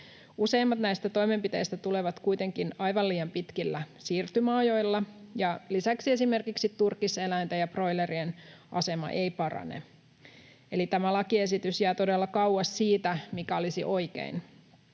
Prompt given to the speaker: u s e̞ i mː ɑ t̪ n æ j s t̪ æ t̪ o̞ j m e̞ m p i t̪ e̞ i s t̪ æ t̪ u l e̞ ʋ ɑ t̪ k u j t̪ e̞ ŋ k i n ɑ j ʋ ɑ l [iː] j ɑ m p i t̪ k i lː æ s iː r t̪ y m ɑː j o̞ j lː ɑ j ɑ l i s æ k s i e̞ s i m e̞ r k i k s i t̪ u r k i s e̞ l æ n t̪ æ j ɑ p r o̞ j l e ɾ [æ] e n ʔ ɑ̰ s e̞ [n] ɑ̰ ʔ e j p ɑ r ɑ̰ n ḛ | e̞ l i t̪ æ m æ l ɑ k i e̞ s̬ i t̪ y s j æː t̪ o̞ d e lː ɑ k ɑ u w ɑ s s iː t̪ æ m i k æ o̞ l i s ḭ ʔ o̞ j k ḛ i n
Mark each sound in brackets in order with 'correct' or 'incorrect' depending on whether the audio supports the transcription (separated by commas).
correct, incorrect, incorrect